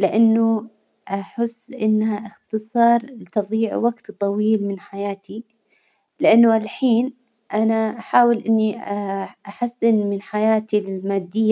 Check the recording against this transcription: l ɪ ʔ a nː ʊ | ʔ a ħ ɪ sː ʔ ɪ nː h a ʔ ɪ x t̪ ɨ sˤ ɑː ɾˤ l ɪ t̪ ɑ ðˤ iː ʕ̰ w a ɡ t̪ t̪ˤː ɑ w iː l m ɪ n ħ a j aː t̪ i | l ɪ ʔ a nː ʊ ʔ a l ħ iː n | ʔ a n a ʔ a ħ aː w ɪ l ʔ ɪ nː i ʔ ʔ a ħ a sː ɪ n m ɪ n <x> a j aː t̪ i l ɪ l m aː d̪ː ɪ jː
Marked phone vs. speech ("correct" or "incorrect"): incorrect